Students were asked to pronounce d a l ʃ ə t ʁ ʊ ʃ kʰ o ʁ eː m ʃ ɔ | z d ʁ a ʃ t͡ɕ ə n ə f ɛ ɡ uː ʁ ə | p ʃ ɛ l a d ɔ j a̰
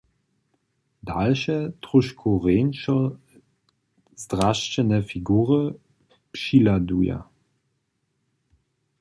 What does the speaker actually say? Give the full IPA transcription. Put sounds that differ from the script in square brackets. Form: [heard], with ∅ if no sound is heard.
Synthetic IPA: d a l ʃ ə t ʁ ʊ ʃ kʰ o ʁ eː [n] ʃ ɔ | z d ʁ a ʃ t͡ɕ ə n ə f [i] ɡ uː ʁ ə | p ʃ [i] l a d [u] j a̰

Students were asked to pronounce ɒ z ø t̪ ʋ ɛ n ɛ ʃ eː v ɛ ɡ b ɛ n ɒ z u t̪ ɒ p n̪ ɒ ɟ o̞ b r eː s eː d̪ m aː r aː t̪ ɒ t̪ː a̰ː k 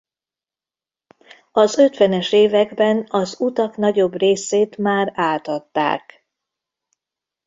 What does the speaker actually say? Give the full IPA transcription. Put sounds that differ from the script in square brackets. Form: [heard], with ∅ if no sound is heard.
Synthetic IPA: ɒ z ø t̪ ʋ ɛ n ɛ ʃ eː v ɛ ɡ b ɛ n ɒ z u t̪ ɒ [k] n̪ ɒ ɟ o̞ b r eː s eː [t̪] m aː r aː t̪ ɒ t̪ː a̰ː k

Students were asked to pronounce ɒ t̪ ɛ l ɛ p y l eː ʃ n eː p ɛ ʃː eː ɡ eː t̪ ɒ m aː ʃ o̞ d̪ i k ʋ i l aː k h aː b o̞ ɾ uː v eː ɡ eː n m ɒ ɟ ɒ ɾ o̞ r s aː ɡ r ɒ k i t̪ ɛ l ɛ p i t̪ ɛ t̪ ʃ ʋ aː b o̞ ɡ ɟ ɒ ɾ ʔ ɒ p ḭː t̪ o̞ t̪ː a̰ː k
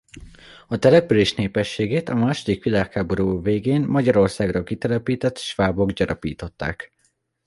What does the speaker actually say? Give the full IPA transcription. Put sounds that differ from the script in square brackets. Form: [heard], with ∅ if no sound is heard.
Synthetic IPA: ɒ t̪ ɛ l ɛ p y l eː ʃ n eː p ɛ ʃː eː ɡ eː t̪ ɒ m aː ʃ o̞ d̪ i k ʋ i l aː k h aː b o̞ ɾ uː v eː ɡ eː n m ɒ ɟ ɒ ɾ o̞ r s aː ɡ r ɒ k i t̪ ɛ l ɛ p [iː] t̪ ɛ t̪ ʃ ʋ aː b o̞ ɡ ɟ ɒ ɾ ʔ ɒ p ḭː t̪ o̞ t̪ː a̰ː k

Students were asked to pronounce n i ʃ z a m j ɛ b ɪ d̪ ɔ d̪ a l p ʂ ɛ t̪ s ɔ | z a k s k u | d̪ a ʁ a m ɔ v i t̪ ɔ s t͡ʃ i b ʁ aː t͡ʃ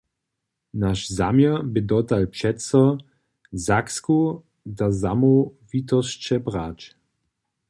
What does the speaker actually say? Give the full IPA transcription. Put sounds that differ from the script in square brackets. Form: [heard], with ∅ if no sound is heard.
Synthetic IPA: n [a] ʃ z a m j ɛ b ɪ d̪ ɔ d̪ a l p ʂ ɛ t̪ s ɔ | z a k s k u | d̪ a [z] a m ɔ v i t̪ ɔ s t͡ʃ [ɛ] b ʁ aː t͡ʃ

